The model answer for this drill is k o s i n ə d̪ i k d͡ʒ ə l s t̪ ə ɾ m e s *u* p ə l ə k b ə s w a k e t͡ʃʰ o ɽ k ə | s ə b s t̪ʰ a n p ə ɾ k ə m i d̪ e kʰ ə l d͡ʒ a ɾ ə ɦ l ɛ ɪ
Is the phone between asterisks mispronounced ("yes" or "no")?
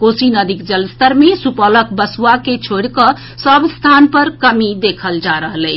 no